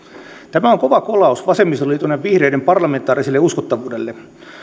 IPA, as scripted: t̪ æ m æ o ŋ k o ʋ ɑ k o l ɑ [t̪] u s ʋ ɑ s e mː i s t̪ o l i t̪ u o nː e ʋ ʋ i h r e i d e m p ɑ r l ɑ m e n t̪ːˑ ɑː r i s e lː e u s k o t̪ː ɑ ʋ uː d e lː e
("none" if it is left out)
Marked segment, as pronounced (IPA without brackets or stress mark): none